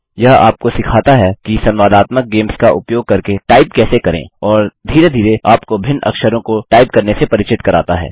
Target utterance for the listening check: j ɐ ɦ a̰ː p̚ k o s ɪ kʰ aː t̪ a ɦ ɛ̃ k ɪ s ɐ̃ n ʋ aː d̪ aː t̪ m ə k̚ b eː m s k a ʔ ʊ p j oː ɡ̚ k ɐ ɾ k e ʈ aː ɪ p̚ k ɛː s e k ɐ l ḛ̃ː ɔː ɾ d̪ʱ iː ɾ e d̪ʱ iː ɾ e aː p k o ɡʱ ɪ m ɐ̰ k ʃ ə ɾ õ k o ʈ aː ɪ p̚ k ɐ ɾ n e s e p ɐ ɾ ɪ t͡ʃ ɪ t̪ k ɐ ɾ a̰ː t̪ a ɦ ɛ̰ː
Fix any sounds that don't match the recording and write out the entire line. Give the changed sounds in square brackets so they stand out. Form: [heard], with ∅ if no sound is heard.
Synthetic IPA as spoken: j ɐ ɦ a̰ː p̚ k o s ɪ kʰ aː t̪ a ɦ [ɛ] k [i] s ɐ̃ n ʋ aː d̪ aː t̪ m ə k̚ [ɡ] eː m s k a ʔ ʊ p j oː ɡ̚ k ɐ ɾ k e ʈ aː ɪ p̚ k ɛː s e k ɐ [ɾ] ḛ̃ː ɔː ɾ d̪ʱ iː ɾ e d̪ʱ iː ɾ e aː p k o [bʱ] ɪ [n] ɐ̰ k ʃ ə ɾ õ k o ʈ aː ɪ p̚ k ɐ ɾ n e s e p ɐ ɾ ɪ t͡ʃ ɪ t̪ k ɐ ɾ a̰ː t̪ a ɦ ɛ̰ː